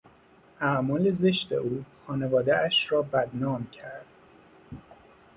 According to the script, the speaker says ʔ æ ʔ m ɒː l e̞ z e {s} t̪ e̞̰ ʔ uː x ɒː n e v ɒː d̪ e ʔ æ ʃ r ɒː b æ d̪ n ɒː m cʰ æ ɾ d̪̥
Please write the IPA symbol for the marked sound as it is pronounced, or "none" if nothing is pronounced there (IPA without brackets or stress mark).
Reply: ʃ